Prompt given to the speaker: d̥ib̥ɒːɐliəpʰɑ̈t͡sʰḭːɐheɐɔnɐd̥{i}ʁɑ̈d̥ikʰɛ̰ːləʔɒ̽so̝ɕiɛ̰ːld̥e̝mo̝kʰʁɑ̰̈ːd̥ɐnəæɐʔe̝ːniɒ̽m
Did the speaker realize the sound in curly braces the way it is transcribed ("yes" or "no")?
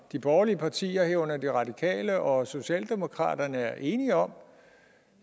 yes